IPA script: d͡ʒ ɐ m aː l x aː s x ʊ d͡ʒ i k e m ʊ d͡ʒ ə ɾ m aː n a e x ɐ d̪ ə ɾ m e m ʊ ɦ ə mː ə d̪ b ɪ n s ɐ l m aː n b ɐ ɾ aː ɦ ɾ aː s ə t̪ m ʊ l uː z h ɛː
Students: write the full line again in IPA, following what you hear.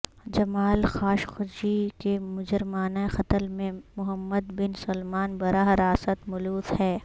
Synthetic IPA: d͡ʒ ɐ m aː l x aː ʃ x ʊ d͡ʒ i k e m ʊ d͡ʒ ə ɾ m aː n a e x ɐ t̪ ə l m ẽ m ʊ ɦ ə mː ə d̪ b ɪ n s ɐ l m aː n b ɐ ɾ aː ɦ ɾ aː s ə t̪ m ʊ l uː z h ɛː